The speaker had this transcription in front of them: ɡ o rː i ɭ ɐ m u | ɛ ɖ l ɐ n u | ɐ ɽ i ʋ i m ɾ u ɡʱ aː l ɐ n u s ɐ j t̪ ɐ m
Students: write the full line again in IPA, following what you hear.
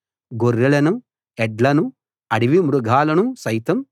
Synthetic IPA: ɡ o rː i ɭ ɐ n u | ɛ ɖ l ɐ n u | ɐ ɽ i ʋ i m ɾ u ɡʱ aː l ɐ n u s ɐ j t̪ ɐ m